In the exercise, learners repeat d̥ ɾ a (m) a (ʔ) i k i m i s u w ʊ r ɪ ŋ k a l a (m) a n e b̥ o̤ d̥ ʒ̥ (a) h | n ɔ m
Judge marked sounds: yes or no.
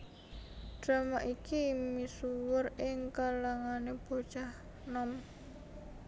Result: yes, yes, no, yes

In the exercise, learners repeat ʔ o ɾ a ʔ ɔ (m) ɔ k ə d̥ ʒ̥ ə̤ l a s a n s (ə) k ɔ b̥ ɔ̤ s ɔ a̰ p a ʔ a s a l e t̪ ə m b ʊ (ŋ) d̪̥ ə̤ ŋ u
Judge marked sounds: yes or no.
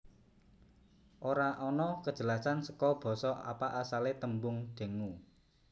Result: no, yes, yes

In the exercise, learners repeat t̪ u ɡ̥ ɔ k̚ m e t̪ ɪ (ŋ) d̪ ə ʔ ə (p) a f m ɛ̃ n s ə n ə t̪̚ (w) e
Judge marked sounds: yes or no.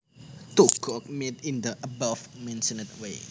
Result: no, no, yes

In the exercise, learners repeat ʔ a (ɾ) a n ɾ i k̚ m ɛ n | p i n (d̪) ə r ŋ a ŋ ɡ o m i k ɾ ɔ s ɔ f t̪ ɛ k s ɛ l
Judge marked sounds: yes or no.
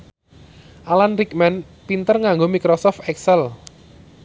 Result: no, no

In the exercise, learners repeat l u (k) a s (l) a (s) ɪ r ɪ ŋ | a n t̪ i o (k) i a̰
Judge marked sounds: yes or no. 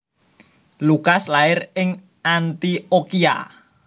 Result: yes, yes, no, yes

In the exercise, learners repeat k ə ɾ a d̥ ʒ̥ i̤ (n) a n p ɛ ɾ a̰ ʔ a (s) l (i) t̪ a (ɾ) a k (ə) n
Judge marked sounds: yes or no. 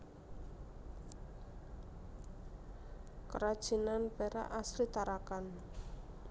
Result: yes, yes, yes, yes, no

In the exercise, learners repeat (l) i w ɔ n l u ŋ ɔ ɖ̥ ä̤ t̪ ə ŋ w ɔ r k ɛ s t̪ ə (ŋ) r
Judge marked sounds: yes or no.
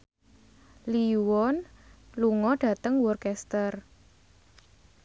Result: yes, no

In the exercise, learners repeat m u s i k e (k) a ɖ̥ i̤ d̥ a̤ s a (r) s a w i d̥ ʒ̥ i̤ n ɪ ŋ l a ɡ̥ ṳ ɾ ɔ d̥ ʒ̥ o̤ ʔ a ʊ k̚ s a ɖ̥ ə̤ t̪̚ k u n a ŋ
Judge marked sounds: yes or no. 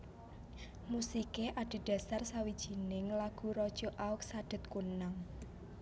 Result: no, yes

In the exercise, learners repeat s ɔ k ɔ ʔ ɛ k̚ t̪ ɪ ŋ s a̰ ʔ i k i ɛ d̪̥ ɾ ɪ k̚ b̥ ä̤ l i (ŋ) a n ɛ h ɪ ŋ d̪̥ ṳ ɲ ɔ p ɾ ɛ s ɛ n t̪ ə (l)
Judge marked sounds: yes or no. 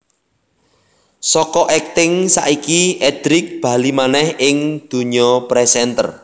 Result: no, no

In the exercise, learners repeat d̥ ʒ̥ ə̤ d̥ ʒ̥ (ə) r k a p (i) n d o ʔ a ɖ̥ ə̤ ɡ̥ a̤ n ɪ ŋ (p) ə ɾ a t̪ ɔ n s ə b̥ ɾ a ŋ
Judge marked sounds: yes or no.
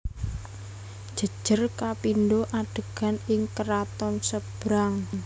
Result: yes, yes, no

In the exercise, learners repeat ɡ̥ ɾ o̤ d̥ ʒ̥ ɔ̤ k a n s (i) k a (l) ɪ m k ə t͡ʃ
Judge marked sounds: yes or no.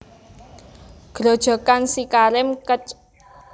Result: yes, no

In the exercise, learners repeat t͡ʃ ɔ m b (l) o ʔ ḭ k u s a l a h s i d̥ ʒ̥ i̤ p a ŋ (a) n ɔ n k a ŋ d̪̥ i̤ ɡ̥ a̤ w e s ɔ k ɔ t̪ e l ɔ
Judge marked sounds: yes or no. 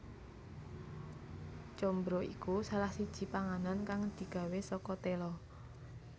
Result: no, yes

